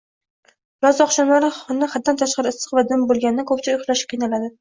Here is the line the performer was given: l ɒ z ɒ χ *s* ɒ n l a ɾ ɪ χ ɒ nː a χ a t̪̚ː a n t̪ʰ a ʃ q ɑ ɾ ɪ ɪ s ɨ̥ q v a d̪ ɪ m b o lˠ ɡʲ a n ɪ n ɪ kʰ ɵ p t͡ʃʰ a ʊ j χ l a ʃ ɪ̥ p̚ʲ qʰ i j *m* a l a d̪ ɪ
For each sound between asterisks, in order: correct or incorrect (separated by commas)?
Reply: incorrect, incorrect